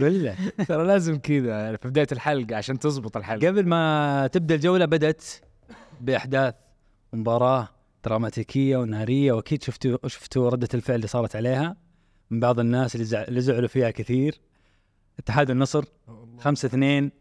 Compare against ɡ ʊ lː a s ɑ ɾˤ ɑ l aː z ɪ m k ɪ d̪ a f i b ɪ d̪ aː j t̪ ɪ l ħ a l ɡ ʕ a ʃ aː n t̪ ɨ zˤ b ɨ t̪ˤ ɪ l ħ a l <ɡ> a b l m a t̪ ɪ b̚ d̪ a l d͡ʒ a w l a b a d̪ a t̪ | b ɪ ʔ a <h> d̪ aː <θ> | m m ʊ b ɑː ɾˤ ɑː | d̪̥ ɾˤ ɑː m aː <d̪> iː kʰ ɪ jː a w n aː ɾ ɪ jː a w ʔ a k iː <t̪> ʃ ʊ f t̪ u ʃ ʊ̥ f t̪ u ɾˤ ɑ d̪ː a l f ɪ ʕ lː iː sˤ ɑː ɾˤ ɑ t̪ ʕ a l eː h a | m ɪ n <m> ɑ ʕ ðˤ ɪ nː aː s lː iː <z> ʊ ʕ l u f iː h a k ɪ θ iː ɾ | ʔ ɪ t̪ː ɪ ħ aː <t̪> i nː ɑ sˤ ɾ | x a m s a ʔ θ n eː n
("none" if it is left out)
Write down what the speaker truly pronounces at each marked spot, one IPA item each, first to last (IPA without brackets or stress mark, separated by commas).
ɡ, ħ, θ, t̪, d̪, b, z, d̪